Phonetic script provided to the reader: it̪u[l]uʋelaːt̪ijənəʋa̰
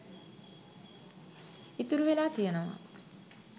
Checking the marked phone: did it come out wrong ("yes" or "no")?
yes